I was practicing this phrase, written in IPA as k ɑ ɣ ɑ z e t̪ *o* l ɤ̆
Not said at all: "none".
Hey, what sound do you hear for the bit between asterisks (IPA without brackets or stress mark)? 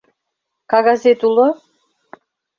u